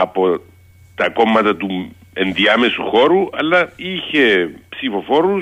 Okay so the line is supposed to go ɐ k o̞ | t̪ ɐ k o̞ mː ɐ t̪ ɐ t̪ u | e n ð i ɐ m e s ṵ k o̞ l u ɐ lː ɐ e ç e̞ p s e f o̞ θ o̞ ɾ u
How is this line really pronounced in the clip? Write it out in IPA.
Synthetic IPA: ɐ p o̞ | t̪ ɐ k o̞ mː ɐ t̪ ɐ t̪ u | e n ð i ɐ m e s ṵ x o̞ ɾ u ɐ lː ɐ i ç e̞ p s i f o̞ f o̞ ɾ u